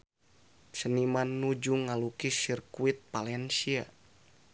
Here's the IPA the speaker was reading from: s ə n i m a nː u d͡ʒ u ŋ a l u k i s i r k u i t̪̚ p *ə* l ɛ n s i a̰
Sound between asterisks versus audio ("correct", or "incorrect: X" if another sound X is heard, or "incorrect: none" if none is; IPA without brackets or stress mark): incorrect: a